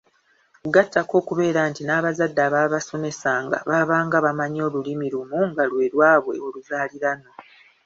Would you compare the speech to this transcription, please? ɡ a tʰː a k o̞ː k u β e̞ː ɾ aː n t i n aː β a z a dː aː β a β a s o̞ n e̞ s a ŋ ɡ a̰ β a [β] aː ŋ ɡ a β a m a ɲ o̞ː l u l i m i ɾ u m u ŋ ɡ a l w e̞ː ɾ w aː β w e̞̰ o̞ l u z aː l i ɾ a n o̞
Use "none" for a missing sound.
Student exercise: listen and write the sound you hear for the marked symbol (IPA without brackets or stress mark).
β